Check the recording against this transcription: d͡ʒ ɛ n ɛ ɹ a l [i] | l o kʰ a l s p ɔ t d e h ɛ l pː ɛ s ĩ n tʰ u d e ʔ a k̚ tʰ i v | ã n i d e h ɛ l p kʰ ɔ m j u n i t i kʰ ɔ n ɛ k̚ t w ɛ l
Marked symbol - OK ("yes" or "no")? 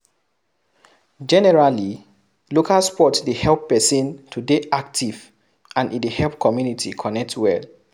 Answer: yes